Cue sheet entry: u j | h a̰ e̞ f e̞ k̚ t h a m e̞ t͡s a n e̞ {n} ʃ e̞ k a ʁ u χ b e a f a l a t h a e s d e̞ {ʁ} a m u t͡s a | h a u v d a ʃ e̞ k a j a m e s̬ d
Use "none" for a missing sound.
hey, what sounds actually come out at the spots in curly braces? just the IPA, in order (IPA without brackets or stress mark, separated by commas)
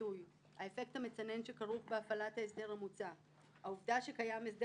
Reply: n, ʁ